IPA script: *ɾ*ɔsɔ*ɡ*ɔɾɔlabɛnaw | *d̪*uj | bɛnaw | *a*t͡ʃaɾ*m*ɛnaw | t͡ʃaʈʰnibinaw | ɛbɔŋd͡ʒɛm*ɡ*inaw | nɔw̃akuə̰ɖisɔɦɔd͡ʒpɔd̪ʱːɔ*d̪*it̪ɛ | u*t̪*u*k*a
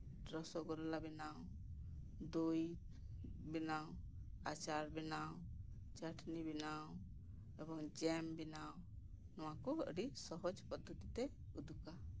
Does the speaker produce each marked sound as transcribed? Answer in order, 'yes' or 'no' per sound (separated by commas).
yes, yes, yes, yes, no, no, no, no, yes